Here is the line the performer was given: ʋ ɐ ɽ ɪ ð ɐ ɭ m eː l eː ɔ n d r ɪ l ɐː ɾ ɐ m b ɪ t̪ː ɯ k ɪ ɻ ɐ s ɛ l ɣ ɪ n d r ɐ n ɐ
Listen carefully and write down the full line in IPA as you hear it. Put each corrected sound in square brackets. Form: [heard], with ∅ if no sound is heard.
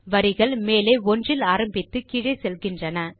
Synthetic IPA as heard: ʋ ɐ [ɾ] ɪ [ɣ] ɐ ɭ m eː l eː ɔ n d r ɪ l [aː] ɾ ɐ m b ɪ t̪ː ɯ k ɪ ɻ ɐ s ɛ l ɣ ɪ n d r ɐ n ɐ